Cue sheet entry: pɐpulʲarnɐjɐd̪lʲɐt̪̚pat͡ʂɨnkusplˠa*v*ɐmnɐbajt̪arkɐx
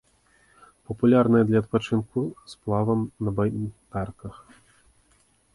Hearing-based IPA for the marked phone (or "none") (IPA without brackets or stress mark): v